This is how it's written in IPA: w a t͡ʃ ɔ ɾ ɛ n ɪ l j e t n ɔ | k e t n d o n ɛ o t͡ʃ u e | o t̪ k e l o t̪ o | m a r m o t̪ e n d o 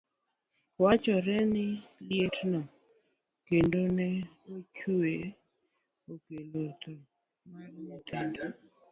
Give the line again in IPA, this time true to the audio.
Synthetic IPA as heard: w a t͡ʃ ɔ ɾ ɛ n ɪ l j e t n ɔ | k e n d o n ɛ o t͡ʃ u e | o k e l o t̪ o | m a r m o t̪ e n d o